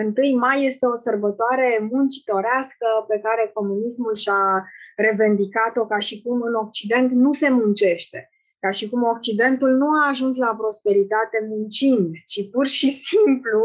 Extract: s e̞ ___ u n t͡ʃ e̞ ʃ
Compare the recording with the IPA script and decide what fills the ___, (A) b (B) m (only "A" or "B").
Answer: B